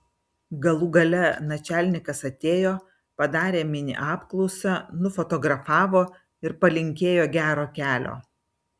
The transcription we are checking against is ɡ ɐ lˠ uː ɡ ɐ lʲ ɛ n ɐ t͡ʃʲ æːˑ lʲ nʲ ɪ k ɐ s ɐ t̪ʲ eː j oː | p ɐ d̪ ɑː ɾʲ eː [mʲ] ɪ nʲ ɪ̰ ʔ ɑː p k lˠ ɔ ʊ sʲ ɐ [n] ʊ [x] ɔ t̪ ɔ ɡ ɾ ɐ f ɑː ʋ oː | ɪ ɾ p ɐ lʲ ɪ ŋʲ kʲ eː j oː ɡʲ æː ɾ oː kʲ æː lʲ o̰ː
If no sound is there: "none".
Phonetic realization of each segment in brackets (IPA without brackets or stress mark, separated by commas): mʲ, n, f